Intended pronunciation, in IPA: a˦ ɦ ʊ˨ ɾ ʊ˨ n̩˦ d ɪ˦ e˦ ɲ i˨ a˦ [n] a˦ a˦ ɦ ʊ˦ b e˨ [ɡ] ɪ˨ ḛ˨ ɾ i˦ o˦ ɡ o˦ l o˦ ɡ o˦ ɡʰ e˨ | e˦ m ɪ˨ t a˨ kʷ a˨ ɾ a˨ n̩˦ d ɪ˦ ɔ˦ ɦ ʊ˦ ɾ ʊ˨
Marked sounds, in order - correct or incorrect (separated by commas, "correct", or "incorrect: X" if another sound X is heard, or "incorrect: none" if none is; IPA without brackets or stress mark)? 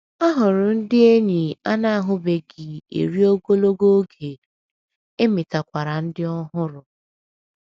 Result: correct, correct